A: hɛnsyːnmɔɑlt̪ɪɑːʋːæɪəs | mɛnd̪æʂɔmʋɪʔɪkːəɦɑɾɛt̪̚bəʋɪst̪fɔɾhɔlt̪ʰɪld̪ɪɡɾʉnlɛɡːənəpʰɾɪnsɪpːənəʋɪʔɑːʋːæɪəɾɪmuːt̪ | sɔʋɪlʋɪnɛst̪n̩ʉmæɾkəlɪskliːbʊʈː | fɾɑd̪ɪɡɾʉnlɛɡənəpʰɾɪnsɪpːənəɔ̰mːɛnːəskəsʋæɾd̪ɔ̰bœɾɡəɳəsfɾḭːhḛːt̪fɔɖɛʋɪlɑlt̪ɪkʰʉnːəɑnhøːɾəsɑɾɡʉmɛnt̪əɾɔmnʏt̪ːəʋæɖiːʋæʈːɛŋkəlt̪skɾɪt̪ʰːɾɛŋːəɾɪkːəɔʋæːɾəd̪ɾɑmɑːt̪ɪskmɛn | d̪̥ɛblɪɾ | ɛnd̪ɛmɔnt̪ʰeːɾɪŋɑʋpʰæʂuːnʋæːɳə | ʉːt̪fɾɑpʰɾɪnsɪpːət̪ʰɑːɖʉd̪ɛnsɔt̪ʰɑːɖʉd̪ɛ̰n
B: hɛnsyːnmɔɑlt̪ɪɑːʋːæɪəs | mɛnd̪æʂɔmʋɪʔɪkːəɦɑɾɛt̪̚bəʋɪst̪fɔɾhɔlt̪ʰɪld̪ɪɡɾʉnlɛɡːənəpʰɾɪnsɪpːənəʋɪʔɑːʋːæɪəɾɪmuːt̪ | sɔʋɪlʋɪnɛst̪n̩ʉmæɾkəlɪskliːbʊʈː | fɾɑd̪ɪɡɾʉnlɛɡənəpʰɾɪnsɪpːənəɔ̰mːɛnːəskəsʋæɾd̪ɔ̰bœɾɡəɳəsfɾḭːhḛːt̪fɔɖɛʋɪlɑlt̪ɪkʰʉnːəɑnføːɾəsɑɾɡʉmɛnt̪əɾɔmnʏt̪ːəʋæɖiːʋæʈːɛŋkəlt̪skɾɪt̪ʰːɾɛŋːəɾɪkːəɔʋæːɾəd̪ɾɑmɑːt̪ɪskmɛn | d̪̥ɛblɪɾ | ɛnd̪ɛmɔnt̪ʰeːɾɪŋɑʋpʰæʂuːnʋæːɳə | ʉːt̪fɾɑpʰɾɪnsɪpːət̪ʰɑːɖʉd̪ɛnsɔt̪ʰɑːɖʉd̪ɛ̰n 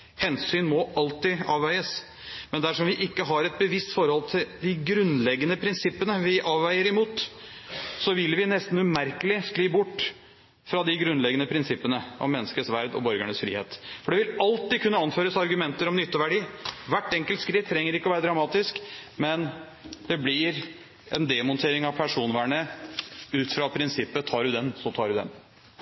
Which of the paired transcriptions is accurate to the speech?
B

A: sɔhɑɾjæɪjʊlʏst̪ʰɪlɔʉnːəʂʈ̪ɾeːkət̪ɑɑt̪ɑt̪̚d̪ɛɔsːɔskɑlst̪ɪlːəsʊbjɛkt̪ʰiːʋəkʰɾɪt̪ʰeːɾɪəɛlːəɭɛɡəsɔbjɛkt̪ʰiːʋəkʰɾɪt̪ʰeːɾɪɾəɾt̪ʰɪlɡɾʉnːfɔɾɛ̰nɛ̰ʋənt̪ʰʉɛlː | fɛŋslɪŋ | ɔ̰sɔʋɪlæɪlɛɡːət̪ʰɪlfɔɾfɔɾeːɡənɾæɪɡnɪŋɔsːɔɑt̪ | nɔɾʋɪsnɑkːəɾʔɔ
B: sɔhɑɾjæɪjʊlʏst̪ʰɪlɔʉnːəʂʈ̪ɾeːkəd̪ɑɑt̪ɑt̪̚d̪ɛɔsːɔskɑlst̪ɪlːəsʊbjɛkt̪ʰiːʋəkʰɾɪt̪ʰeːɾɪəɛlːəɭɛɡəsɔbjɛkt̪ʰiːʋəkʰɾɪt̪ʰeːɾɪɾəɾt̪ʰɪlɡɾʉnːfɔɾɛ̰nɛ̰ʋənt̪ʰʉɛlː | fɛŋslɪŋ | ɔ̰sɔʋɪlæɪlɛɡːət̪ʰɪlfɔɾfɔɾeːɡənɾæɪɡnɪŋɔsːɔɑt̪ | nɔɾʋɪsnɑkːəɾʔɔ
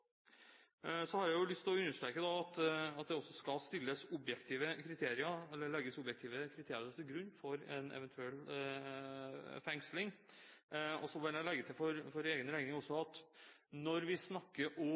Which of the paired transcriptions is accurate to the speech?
B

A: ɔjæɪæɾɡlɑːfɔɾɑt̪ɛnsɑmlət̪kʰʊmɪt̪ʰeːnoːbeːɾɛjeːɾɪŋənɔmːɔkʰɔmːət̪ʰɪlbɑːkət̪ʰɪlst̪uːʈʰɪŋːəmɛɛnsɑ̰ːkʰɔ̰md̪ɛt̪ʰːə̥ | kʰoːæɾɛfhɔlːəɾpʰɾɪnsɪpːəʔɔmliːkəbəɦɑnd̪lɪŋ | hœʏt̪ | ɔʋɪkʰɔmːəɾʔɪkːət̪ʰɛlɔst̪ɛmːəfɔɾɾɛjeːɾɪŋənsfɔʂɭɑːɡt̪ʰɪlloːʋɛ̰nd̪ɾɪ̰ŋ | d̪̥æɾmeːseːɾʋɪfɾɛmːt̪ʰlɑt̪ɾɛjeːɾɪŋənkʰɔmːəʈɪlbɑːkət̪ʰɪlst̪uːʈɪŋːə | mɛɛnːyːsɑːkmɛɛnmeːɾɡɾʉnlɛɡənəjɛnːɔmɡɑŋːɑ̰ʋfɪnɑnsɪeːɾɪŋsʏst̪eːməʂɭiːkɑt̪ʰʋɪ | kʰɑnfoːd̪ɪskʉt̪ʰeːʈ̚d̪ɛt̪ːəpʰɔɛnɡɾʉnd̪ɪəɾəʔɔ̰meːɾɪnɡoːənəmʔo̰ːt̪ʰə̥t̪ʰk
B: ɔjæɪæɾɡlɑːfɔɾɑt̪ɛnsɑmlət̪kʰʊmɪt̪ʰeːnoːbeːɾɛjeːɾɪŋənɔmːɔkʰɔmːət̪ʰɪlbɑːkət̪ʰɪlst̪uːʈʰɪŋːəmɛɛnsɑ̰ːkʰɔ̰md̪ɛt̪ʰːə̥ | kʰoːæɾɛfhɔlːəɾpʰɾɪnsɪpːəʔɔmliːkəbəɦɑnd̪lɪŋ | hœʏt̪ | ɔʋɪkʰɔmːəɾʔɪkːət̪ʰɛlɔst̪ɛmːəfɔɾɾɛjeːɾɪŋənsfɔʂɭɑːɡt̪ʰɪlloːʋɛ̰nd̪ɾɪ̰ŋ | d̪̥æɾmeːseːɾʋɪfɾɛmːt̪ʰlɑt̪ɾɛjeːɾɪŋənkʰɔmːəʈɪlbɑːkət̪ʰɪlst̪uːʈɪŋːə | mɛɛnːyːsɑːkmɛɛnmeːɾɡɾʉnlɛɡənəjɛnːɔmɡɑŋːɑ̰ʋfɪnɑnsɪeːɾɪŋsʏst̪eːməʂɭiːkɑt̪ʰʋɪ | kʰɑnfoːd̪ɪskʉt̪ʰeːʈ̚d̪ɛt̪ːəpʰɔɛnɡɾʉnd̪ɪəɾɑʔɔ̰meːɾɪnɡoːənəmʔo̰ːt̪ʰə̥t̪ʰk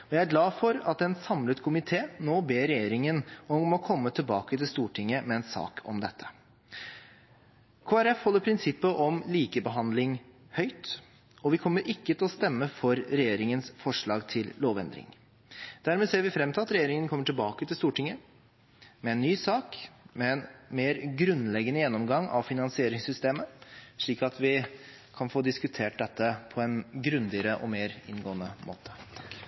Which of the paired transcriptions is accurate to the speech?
A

